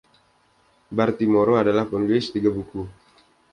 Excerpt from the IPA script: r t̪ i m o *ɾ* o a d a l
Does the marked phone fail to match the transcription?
no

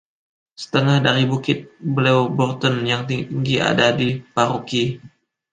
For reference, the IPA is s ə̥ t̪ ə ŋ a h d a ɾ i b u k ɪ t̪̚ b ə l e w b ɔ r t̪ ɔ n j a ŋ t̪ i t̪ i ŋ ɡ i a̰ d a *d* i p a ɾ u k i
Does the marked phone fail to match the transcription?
no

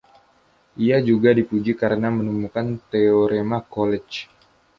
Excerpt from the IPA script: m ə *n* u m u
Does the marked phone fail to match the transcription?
no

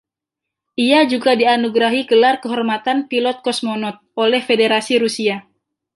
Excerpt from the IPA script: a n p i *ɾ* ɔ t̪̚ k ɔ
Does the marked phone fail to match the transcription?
yes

